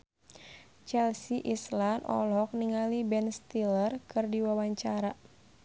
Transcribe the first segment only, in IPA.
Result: t͡ʃ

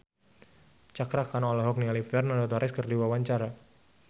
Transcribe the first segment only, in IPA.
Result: t͡ʃ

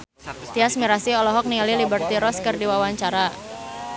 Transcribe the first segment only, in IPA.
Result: t̪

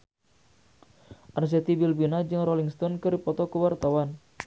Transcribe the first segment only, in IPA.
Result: ʔ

